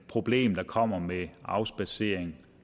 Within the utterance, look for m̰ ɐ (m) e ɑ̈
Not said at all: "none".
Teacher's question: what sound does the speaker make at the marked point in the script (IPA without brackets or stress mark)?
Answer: m